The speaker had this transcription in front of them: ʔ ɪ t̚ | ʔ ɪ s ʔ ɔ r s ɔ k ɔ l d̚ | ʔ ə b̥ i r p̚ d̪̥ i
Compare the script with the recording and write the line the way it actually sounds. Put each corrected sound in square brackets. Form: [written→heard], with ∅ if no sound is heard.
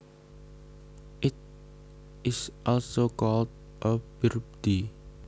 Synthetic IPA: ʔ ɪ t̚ | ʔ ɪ s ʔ ɔ [r→l] s [ɔ→o] k ɔ l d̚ | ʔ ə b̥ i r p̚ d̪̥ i